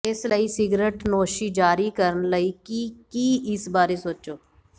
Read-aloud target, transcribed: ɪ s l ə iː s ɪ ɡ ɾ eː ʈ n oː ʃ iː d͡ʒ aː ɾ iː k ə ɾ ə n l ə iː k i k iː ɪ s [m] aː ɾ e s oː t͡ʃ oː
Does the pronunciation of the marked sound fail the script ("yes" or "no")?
yes